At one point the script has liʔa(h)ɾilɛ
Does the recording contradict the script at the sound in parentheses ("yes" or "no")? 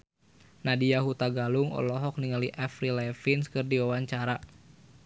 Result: yes